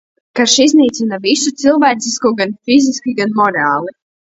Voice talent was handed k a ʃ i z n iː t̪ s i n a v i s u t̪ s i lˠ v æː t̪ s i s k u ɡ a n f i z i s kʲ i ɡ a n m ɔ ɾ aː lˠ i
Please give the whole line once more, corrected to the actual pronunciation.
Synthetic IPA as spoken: k a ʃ i z n iː t̪ s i n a v i s u t̪ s i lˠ v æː t̪ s i s k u ɡ a n f i z i s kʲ i ɡ a n m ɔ ɾ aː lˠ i